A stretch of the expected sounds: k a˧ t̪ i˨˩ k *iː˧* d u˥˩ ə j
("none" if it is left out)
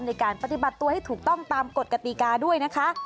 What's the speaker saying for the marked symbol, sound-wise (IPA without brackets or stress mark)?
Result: aː˧